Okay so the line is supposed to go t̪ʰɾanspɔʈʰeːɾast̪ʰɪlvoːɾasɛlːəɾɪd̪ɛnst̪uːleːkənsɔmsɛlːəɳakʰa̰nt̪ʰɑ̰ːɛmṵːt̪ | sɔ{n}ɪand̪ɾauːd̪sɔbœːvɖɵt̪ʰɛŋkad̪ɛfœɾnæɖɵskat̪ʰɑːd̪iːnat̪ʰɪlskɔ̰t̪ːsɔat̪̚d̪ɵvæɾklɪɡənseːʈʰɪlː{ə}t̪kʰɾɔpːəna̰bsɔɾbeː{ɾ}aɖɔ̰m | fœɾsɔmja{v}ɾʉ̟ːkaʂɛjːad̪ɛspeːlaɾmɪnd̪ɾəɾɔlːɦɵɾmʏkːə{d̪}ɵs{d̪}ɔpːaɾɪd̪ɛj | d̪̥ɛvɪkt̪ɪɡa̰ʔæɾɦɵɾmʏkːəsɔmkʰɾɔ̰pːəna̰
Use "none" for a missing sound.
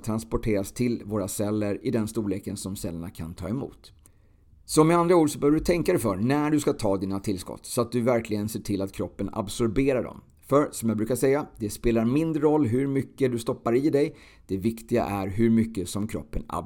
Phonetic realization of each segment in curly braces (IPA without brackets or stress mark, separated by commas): m, a, ɾ, b, d̪, t̪